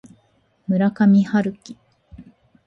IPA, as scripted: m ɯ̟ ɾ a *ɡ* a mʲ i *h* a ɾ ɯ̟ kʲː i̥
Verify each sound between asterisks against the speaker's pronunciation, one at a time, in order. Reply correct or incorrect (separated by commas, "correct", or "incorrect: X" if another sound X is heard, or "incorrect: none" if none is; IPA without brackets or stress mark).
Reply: incorrect: k, correct